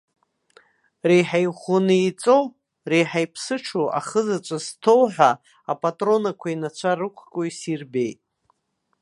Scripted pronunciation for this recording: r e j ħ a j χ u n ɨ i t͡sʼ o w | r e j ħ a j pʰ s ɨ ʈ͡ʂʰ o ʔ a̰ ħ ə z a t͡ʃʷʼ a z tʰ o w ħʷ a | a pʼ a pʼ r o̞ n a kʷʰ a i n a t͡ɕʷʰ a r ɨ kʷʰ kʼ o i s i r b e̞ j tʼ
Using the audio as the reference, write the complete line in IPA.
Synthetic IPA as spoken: r e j ħ a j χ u n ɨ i t͡sʼ o w | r e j ħ a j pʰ s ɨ ʈ͡ʂʰ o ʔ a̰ χ ə z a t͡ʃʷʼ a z tʰ o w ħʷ a | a pʼ a tʼ r o̞ n a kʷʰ a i n a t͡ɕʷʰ a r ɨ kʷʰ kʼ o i s i r b e̞ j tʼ